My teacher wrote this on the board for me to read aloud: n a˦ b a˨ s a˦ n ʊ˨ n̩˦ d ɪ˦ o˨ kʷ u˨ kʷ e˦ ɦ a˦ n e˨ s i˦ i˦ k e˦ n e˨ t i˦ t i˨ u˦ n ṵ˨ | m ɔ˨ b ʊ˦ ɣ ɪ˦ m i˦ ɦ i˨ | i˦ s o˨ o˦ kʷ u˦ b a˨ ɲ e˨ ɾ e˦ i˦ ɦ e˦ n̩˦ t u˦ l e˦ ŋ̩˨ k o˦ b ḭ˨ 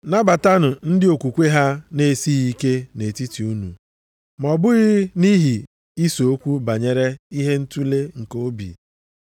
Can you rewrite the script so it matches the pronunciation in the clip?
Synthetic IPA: n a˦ b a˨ t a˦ n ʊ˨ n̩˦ d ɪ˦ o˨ kʷ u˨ kʷ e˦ ɦ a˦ n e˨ s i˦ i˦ k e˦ n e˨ t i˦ t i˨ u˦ n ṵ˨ | m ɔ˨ b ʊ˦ ɣ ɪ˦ n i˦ ɦ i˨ | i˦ s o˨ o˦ kʷ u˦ b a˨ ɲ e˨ ɾ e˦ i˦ ɦ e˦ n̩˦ t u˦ l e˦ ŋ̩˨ k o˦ b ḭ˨